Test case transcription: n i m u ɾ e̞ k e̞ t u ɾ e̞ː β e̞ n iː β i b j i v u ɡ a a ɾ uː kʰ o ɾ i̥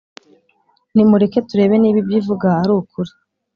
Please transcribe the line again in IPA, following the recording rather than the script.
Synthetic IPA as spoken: n i m u ɾ e̞ k e̞ t u ɾ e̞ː β e̞ n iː β i b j i v u ɡ a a ɾ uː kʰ u ɾ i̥